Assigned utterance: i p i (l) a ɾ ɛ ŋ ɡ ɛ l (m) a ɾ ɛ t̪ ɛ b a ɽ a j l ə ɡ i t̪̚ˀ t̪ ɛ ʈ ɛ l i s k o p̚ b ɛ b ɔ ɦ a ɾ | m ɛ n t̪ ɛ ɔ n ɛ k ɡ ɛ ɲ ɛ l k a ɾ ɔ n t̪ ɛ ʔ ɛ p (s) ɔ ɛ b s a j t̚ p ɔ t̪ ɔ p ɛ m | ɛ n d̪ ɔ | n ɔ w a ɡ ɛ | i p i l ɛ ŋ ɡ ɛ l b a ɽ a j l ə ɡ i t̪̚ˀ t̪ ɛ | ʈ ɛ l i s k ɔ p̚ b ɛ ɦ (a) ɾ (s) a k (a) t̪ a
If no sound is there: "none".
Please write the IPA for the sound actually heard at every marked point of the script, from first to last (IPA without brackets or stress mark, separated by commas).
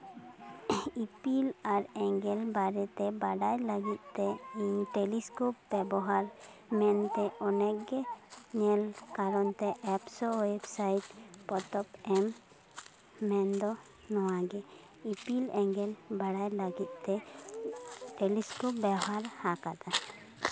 l, b, s, a, h, a